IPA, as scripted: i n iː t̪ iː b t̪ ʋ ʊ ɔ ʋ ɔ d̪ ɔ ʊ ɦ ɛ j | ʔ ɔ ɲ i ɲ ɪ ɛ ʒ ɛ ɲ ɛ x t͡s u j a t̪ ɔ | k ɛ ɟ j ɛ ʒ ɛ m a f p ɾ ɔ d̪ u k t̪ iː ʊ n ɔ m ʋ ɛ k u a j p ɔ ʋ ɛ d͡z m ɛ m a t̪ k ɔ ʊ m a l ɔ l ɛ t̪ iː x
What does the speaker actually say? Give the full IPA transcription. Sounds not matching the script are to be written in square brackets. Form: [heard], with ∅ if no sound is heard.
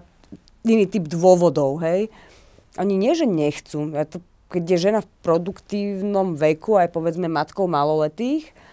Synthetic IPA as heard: i n iː t̪ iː b [d̪] ʋ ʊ ɔ ʋ ɔ d̪ ɔ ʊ ɦ ɛ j | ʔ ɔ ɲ i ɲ ɪ ɛ ʒ ɛ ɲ ɛ x t͡s u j a t̪ ɔ | k ɛ ɟ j ɛ ʒ ɛ [n] a f p ɾ ɔ d̪ u k t̪ iː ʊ n ɔ m ʋ ɛ k u a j p ɔ ʋ ɛ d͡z m ɛ m a t̪ k ɔ ʊ m a l ɔ l ɛ t̪ iː x